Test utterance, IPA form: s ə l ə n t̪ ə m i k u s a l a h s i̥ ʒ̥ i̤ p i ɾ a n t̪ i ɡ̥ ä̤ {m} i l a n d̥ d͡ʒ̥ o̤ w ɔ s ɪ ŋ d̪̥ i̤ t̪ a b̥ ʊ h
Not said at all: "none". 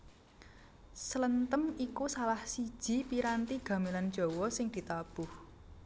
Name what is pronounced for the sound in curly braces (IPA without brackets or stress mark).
m